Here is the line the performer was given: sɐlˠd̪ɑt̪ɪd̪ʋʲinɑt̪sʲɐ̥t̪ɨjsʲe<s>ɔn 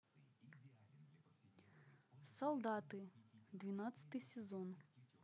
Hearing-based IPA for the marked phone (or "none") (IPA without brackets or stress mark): z